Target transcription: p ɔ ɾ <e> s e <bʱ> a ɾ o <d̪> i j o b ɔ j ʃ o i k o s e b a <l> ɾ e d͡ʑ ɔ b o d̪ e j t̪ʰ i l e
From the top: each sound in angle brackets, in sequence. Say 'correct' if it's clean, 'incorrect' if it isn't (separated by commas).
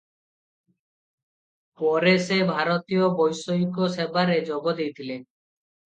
correct, correct, incorrect, incorrect